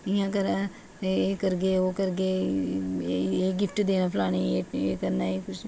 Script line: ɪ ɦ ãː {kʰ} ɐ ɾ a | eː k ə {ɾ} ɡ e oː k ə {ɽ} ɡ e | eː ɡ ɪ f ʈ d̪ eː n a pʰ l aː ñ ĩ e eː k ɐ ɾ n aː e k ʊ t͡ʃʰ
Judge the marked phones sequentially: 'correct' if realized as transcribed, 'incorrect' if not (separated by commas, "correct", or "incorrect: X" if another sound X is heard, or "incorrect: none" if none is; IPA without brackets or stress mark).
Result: incorrect: k, correct, incorrect: ɾ